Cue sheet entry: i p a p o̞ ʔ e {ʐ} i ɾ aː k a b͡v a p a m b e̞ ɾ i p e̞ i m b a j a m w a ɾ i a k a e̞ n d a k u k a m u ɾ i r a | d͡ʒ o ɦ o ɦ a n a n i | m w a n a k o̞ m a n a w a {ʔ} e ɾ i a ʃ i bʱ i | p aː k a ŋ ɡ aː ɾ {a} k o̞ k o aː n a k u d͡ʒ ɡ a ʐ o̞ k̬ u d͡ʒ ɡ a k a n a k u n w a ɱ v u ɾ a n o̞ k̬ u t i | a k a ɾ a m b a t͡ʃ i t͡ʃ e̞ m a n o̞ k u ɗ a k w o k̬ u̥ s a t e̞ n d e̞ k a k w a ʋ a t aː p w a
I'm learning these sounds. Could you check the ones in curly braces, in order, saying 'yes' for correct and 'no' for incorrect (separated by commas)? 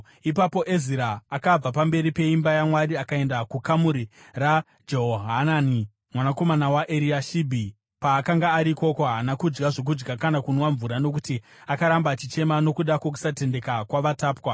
no, yes, no